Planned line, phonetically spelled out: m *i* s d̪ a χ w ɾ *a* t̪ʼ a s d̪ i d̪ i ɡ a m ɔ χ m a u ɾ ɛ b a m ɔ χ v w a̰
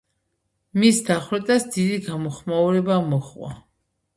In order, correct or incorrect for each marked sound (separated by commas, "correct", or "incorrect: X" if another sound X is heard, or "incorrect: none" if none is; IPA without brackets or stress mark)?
correct, incorrect: ɛ